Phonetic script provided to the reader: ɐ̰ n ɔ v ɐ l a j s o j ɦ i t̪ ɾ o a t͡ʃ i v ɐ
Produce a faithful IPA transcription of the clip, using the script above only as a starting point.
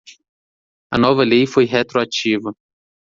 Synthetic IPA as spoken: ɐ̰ n ɔ v ɐ l e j f o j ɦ e t̪ ɾ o a t͡ʃ i v ɐ